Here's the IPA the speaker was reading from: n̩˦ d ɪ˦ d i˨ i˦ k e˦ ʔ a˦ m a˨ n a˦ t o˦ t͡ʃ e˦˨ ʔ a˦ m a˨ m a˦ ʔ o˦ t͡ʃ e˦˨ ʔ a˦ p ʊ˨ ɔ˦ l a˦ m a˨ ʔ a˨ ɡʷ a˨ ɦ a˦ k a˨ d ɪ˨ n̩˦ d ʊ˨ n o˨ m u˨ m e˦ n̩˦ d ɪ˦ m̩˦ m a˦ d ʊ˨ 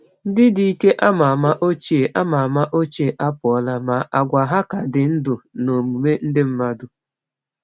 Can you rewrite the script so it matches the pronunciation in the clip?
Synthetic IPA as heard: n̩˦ d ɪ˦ d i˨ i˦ k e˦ ʔ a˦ m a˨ m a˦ ʔ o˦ t͡ʃ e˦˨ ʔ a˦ m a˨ m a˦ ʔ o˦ t͡ʃ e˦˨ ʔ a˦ p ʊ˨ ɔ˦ l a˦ m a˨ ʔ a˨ ɡʷ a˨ ɦ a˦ k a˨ d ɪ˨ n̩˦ d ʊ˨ n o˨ m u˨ m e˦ n̩˦ d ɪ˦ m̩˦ m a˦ d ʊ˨